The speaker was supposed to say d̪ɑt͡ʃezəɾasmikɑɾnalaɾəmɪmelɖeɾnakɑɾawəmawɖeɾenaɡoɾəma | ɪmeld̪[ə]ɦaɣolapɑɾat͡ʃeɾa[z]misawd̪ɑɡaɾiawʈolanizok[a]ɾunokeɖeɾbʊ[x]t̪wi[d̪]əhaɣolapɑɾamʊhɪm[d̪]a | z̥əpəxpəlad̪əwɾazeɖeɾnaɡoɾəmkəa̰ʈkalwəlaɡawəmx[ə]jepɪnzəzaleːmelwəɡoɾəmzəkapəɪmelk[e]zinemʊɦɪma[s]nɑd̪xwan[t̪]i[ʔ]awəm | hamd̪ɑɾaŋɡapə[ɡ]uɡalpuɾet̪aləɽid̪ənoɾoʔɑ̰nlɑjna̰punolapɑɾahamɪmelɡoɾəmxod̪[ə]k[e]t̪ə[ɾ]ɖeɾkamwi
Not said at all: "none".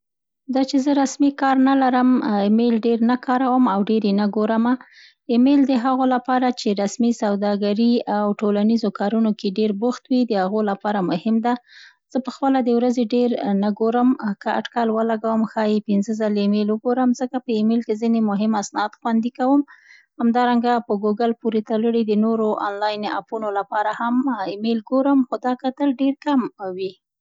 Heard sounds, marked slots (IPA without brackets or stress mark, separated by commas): ə, s, ɑ, x, d̪, d̪, ɑ, e, s, d̪, k, ɡ, ɑ, a, l